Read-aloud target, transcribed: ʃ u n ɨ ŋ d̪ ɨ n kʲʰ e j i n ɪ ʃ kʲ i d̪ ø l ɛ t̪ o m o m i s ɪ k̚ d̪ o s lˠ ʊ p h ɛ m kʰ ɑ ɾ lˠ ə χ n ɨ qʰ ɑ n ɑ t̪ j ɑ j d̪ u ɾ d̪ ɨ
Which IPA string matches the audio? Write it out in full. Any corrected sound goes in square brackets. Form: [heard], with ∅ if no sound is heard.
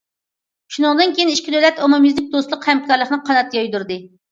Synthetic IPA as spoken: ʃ u n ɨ ŋ d̪ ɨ n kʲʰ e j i n [i] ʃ kʲ i d̪ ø l ɛ t̪ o m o m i [z] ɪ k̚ d̪ o s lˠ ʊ [q] h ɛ m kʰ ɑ ɾ lˠ ə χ n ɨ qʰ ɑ n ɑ t̪ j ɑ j d̪ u ɾ d̪ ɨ